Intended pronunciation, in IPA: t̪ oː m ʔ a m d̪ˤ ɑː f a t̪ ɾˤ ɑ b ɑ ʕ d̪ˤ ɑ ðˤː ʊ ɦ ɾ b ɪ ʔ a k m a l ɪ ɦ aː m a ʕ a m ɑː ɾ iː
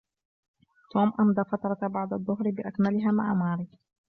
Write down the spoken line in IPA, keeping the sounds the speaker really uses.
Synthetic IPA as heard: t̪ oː m ʔ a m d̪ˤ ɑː f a t̪ ɾˤ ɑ b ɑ ʕ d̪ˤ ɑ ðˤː ʊ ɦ ɾ b ɪ ʔ a k m a l ɪ ɦ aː m a ʕ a m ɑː ɾ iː